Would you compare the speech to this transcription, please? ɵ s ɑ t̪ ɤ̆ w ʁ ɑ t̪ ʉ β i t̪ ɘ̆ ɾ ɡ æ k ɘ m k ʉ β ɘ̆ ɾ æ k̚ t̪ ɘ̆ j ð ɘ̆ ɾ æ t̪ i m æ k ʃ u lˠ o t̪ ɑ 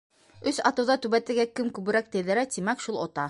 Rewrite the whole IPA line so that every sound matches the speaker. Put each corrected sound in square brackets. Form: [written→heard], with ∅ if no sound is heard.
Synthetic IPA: ɵ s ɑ t̪ ɤ̆ w [ʁ→ð] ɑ t̪ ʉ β [i→æ] t̪ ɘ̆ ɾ ɡ æ k ɘ m k ʉ β ɘ̆ ɾ æ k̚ t̪ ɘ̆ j ð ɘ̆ ɾ æ t̪ i m æ k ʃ u lˠ o t̪ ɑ